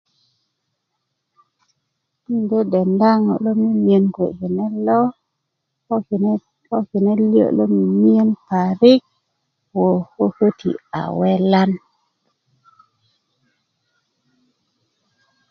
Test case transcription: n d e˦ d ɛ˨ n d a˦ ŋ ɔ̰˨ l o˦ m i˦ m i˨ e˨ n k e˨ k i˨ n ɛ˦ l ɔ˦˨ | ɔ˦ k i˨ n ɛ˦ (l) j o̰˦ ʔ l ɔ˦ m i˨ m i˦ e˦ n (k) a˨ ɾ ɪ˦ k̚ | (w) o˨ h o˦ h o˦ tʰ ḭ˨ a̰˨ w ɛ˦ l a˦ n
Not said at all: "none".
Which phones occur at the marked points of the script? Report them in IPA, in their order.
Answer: l, p, w

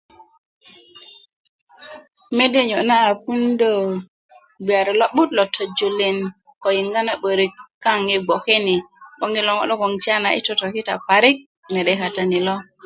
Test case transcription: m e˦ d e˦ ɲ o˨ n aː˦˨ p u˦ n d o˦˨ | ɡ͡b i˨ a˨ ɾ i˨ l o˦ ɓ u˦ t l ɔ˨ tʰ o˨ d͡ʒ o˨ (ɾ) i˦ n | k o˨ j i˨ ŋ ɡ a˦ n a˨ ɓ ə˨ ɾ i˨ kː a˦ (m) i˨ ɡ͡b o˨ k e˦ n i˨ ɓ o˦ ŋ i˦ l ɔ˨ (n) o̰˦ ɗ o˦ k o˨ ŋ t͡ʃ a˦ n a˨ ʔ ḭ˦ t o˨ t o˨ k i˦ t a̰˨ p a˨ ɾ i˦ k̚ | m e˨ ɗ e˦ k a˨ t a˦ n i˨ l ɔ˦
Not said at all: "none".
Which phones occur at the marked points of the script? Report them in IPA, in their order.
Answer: l, ŋ, ŋ

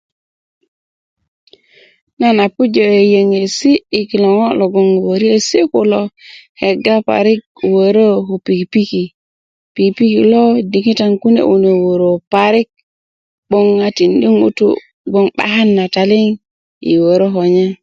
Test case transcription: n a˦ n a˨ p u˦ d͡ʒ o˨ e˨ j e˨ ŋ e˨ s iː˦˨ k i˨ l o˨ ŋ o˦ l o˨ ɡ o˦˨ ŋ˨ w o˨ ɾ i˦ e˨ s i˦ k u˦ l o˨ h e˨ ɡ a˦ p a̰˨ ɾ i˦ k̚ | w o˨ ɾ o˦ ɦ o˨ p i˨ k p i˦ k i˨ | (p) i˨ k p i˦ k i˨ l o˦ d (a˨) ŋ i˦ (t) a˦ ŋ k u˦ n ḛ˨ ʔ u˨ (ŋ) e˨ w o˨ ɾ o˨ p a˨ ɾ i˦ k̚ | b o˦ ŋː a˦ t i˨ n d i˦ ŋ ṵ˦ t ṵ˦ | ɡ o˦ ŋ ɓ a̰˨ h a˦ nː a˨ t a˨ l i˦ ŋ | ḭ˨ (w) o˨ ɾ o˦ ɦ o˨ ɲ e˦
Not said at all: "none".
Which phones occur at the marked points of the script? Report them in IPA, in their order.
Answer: p, i˨, t, n, w

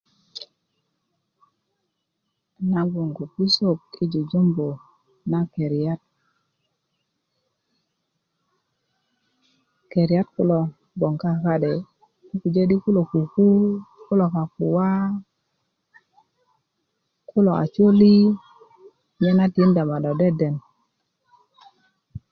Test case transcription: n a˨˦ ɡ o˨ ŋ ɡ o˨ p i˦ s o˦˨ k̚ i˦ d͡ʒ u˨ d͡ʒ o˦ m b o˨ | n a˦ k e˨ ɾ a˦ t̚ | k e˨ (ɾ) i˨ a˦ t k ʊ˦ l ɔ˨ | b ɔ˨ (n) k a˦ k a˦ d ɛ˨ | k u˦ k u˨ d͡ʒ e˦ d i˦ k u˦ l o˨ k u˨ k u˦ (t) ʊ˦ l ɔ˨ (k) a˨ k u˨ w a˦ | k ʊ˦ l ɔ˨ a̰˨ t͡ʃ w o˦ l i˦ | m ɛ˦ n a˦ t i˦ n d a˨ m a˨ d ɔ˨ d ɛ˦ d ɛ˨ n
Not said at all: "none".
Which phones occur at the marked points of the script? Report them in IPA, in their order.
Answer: ɾ, ŋ, k, k

